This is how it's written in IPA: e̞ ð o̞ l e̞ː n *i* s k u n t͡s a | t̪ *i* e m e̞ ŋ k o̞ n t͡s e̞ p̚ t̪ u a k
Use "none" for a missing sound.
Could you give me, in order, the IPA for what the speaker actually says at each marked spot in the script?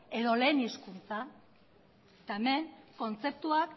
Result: i, a

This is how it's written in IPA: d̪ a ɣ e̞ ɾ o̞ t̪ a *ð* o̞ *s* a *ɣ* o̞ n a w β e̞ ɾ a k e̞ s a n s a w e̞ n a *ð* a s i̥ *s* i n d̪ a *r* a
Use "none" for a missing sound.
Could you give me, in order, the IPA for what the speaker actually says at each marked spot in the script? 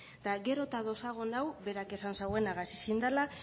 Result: ð, s, ɣ, ɣ, s, l

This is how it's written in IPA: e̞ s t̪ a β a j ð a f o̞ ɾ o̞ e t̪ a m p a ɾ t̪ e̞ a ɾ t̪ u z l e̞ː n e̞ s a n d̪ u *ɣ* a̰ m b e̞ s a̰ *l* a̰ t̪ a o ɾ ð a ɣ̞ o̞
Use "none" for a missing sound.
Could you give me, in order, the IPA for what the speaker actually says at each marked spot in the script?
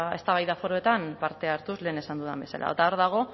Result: ð, l

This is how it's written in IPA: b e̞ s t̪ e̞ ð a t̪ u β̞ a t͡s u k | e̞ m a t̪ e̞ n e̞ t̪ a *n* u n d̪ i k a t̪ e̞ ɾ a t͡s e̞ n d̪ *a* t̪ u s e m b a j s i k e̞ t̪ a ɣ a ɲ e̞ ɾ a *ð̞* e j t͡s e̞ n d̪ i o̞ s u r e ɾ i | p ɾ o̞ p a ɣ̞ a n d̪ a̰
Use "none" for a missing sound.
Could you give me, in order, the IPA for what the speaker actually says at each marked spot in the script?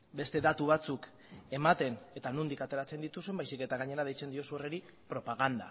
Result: n, i, ð̞

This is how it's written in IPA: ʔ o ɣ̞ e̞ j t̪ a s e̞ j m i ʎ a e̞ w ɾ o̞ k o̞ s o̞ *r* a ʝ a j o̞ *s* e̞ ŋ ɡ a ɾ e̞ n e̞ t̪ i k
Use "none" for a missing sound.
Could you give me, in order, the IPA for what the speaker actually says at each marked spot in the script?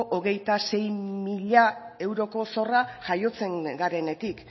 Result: r, t͡s

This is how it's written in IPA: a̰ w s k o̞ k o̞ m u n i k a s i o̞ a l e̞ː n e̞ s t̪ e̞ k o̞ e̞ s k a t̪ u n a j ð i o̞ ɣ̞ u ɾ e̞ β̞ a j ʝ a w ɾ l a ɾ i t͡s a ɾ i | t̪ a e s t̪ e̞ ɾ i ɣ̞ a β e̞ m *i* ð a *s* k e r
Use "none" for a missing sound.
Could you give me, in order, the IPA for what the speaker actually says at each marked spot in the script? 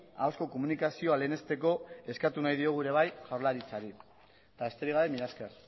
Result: i, s

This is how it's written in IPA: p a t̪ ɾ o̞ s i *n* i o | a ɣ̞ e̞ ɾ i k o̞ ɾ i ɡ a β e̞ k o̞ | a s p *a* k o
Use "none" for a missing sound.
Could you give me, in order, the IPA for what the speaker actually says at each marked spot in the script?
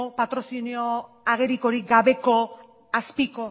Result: n, i

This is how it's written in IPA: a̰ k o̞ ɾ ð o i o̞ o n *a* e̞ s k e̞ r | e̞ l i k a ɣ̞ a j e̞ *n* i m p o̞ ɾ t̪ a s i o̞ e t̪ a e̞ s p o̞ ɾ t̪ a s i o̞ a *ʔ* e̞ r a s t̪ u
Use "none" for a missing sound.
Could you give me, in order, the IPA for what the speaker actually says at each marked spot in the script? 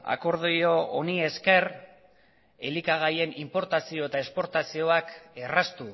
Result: i, n, k

